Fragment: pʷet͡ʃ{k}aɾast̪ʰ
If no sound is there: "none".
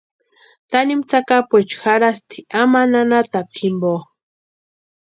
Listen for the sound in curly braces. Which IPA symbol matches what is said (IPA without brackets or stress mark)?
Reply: x